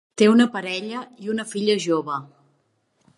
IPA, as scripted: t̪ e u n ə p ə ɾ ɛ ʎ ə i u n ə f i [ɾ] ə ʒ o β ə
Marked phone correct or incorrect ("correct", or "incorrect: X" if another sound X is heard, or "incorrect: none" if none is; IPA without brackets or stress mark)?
incorrect: ʎ